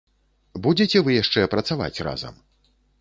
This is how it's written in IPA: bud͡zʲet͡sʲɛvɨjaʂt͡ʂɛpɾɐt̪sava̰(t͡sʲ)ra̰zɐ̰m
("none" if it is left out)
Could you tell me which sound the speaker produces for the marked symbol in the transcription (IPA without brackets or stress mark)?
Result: t͡sʲ